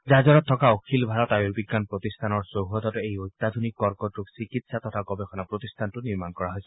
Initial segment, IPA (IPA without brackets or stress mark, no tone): z